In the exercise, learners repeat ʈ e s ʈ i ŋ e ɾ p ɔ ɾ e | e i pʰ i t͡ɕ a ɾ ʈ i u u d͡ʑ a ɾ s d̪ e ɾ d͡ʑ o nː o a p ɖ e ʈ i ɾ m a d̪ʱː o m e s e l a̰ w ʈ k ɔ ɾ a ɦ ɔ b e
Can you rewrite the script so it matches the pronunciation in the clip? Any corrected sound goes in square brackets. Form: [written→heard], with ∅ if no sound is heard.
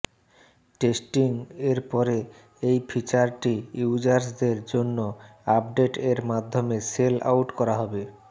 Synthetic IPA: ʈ e s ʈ i ŋ e ɾ p ɔ ɾ e | e [i→j] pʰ i t͡ɕ a ɾ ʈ i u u d͡ʑ a ɾ s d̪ e ɾ d͡ʑ o nː o a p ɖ e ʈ [i→e] ɾ m a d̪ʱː o m e s e l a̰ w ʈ k ɔ ɾ a ɦ ɔ b e